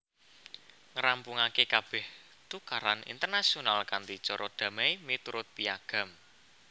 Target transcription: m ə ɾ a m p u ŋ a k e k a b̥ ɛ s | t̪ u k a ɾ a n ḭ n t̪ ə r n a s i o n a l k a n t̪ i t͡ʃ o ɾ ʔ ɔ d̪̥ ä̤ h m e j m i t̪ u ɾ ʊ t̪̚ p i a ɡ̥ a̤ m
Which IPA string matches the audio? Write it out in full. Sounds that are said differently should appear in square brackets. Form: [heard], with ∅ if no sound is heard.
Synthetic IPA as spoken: [ŋ] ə ɾ a m p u ŋ a k e k a b̥ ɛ [h] | t̪ u k a ɾ a n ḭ n t̪ ə r n a s i o n a l k a n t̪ i t͡ʃ [ɔ] ɾ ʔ ɔ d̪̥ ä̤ [∅] m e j m i t̪ u ɾ ʊ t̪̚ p i a ɡ̥ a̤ m